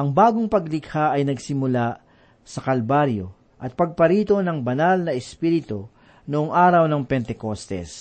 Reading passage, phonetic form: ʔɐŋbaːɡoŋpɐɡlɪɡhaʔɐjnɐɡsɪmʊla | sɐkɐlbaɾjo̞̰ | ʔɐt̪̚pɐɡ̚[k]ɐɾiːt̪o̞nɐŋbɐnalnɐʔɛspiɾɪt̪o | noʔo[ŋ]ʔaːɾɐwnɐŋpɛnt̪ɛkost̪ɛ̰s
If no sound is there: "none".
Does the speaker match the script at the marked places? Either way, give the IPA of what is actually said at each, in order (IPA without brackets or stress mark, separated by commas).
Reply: p, ŋ